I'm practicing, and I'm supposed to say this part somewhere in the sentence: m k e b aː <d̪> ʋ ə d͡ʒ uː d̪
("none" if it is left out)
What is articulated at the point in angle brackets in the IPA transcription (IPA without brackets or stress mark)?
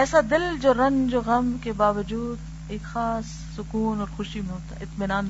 none